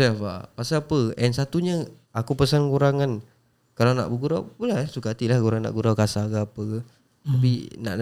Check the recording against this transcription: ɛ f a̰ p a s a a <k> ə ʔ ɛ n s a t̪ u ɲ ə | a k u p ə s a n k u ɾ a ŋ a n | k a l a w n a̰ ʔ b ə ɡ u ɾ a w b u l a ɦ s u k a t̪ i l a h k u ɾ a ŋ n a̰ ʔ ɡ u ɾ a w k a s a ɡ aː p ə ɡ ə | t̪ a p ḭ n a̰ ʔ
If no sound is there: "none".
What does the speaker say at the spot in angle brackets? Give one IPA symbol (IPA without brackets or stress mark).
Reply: p